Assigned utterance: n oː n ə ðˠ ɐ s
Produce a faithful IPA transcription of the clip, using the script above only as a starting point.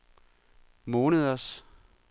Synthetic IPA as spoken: m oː n ə ðˠ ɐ s